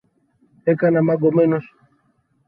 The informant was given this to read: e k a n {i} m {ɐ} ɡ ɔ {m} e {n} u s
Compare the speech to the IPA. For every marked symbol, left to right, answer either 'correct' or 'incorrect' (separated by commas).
incorrect, incorrect, correct, correct